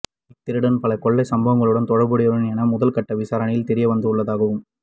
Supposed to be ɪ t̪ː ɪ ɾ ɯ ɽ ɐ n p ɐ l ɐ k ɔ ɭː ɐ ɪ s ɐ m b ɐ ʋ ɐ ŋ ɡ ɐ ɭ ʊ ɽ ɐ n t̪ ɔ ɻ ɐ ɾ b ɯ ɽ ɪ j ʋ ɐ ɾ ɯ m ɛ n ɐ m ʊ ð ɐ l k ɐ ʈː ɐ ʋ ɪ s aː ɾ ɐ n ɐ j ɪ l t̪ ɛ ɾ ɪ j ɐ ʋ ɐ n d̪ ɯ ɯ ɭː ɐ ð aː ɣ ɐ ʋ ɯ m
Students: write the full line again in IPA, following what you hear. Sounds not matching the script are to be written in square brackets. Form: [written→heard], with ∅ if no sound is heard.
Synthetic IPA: ɪ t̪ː ɪ ɾ ɯ ɽ ɐ n p ɐ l ɐ k ɔ ɭː ɐ ɪ s ɐ m b ɐ ʋ ɐ ŋ ɡ ɐ ɭ [ʊ→ɯ] ɽ ɐ n t̪ ɔ ɻ ɐ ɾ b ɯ ɽ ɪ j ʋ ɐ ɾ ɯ [m→n] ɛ n ɐ m ʊ ð ɐ l k ɐ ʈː ɐ ʋ ɪ s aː ɾ ɐ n ɐ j ɪ l t̪ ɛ ɾ ɪ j ɐ ʋ ɐ n d̪ ɯ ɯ ɭː ɐ ð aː ɣ ɐ ʋ ɯ m